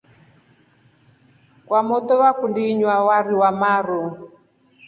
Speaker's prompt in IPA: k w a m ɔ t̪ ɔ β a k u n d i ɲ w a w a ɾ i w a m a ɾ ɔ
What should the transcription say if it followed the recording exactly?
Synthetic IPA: k w a m ɔ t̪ ɔ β a k u n d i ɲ w a w a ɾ i w a m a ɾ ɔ